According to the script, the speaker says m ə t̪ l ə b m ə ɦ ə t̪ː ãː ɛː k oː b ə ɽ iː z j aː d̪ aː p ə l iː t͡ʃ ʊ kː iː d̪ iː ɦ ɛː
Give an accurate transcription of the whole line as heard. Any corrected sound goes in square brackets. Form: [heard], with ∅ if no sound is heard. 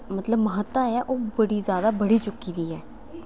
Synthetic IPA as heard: m ə t̪ l ə b m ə ɦ ə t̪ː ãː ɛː [ʔ] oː b ə ɽ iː z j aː d̪ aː [b] ə [ɽ] iː t͡ʃ ʊ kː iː d̪ iː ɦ ɛː

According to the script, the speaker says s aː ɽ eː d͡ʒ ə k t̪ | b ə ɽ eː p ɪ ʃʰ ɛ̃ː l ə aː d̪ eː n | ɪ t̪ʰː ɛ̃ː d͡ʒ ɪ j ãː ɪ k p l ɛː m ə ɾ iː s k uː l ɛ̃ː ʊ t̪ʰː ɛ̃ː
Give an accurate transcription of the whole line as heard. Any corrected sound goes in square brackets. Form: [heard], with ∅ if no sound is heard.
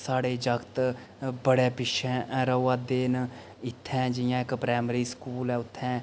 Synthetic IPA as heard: s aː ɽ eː d͡ʒ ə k t̪ | b ə ɽ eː p ɪ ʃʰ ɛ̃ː [ɾ] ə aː d̪ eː n | ɪ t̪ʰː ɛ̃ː d͡ʒ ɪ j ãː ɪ k p [ɾ] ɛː m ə ɾ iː s k uː l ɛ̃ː ʊ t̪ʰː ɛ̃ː

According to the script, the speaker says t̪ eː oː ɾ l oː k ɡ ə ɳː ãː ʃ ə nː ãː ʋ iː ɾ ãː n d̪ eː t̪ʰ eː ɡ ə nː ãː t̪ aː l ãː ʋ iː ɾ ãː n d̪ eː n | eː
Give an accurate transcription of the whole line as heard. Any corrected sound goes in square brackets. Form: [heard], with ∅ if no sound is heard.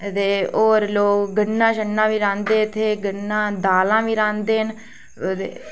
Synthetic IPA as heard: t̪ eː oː ɾ l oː k ɡ ə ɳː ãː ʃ ə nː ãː ʋ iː ɾ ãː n d̪ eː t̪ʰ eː ɡ ə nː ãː [d̪] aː l ãː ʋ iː ɾ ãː n d̪ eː n | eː

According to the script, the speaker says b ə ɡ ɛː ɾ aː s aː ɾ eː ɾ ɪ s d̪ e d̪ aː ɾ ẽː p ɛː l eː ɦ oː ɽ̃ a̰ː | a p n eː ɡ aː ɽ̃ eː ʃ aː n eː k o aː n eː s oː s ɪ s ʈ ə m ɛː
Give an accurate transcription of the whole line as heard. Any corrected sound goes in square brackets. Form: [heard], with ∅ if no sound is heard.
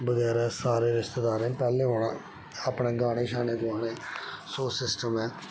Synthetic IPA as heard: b ə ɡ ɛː ɾ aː s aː ɾ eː ɾ ɪ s [t̪] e d̪ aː ɾ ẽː p ɛː l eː ɦ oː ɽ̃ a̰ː | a p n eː ɡ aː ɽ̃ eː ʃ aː n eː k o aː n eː s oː s ɪ s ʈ ə m ɛː

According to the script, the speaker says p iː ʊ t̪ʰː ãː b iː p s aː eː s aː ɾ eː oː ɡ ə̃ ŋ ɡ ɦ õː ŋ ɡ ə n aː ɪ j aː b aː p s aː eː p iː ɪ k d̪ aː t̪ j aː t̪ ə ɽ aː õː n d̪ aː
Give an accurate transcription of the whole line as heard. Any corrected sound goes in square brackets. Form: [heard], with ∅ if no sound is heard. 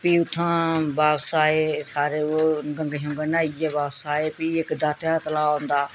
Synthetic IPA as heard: p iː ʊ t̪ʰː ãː b [aː] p s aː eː s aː ɾ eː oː ɡ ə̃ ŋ ɡ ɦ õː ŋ ɡ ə n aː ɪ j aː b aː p s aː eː p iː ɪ k d̪ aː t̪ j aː t̪ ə [l] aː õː n d̪ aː

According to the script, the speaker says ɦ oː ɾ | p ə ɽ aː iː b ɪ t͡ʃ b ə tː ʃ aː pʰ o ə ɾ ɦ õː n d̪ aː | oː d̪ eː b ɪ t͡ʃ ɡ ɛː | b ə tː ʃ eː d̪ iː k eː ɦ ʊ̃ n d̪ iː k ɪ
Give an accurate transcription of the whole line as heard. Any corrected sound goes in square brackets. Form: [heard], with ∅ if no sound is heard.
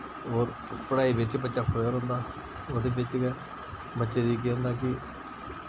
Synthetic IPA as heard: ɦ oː ɾ | p ə ɽ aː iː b ɪ t͡ʃ b ə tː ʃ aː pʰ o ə ɾ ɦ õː n d̪ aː | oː d̪ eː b ɪ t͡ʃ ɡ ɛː | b ə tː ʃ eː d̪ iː k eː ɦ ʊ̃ n d̪ [aː] k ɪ

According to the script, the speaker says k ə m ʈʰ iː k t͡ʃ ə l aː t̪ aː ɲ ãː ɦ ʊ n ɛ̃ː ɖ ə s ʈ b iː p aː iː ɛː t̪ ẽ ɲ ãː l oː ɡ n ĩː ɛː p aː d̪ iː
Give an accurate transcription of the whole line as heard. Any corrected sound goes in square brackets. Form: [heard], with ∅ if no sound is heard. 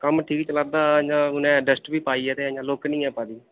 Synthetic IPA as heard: k ə m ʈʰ iː k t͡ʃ ə l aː [d̪] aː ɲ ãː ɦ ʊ n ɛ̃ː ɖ ə s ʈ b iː p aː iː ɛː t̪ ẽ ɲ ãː l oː [k] n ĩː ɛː p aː d̪ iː

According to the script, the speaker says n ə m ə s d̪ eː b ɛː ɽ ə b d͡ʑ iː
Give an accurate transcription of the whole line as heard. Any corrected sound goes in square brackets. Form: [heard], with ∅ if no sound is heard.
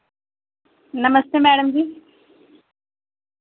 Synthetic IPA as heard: n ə m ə s [t̪] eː [m] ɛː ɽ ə [m] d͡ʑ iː

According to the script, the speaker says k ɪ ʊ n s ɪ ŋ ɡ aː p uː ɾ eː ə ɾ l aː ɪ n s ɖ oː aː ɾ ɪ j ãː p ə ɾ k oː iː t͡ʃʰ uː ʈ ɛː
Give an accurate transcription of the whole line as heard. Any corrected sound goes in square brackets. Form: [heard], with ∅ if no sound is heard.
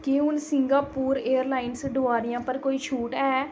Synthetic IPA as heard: k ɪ ʊ n s ɪ ŋ ɡ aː p uː ɾ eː ə ɾ l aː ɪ n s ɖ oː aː ɾ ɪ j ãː p ə ɾ k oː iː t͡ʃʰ uː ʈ ɛː

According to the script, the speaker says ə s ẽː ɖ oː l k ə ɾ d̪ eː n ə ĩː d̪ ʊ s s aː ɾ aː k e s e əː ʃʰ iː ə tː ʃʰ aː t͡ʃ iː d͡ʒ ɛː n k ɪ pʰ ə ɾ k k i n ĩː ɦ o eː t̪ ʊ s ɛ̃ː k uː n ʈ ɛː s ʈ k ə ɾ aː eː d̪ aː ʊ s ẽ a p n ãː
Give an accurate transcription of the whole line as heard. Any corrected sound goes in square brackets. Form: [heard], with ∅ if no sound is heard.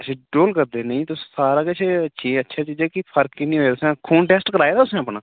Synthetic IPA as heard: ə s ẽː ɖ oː l k ə ɾ d̪ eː n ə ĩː [t̪] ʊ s s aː ɾ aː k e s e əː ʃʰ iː ə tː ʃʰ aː t͡ʃ iː d͡ʒ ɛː [∅] k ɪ pʰ ə ɾ k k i n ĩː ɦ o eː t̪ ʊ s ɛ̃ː [kʰ] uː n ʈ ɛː s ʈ k ə ɾ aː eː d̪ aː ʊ s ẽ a p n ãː

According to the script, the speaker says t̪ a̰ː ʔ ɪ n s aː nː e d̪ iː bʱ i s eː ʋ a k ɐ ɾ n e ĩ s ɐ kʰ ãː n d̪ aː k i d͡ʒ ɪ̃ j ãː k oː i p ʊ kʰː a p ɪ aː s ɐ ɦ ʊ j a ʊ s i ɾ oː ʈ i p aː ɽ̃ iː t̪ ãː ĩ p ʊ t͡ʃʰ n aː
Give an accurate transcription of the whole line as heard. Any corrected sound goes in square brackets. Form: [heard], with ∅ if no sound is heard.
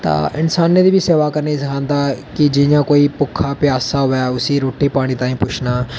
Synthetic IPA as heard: t̪ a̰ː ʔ ɪ n s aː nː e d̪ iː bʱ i s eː ʋ a k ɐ ɾ n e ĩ s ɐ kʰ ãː n d̪ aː k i d͡ʒ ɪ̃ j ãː k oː i p ʊ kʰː a p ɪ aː s [a] ɦ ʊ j a ʊ s i ɾ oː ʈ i p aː ɽ̃ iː t̪ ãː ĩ p ʊ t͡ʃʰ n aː

